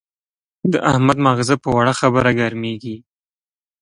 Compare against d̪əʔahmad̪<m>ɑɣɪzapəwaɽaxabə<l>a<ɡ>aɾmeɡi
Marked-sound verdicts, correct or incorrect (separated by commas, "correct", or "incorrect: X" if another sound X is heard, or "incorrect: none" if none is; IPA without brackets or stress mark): correct, incorrect: ɾ, correct